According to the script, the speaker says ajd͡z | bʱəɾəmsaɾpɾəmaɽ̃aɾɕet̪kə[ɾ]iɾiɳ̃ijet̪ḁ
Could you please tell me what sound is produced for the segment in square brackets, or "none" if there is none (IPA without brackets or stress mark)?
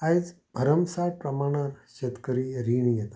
ɾ